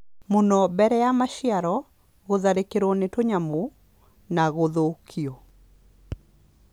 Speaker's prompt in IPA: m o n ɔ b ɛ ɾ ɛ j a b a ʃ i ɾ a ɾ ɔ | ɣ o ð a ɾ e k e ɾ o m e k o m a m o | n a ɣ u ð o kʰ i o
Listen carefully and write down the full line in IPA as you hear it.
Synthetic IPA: m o n ɔ b ɛ ɾ ɛ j a m a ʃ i a ɾ ɔ | ɣ o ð a ɾ e k e ɾ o n e t o ɲ a m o | n a ɣ o ð o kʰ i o